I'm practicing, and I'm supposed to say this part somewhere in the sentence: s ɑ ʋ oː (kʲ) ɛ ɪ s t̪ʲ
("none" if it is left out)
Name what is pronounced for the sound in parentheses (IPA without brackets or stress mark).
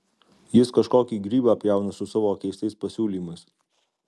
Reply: kʲ